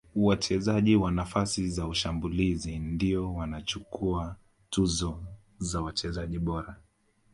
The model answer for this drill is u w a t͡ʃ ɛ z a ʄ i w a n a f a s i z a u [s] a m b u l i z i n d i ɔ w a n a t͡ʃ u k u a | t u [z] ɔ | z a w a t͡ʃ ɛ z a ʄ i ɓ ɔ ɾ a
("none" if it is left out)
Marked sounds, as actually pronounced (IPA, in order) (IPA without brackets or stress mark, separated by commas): ʃ, z